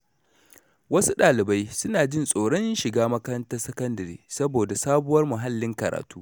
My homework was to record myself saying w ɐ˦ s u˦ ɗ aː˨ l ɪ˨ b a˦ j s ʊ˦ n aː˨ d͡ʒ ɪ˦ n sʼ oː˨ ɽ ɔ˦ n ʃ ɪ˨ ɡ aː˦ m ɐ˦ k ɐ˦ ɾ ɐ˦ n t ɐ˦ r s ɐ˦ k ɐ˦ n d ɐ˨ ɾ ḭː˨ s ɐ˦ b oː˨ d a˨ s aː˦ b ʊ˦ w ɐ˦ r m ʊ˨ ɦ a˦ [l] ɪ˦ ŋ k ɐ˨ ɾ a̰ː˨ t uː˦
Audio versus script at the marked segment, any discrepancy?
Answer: yes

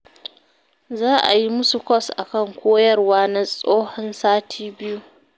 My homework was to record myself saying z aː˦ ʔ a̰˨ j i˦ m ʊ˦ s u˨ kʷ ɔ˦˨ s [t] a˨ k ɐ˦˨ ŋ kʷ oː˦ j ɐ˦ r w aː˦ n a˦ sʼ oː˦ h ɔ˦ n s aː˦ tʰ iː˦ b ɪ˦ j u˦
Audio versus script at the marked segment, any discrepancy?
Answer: yes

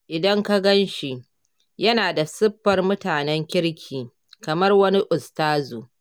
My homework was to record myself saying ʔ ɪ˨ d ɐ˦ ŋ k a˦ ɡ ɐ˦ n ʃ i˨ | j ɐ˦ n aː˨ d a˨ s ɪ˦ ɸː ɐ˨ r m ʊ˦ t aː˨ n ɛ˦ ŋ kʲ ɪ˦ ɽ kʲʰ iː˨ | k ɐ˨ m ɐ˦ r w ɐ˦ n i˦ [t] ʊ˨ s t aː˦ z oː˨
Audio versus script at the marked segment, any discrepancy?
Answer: yes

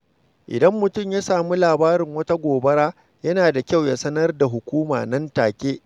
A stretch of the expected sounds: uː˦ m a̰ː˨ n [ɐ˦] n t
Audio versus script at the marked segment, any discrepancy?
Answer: no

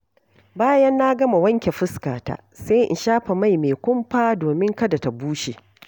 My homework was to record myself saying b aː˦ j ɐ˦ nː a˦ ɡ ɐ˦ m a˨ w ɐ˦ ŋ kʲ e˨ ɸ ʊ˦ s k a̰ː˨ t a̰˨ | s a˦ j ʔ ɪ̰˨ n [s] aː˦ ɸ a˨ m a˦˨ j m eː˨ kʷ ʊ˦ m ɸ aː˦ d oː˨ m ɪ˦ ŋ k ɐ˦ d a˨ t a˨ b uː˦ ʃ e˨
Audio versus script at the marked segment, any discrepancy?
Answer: yes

